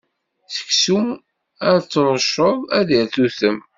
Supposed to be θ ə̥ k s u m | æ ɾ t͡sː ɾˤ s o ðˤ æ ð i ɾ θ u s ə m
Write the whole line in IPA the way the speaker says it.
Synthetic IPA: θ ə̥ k s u m | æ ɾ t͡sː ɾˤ ʃ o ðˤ æ ð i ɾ θ u θ ə m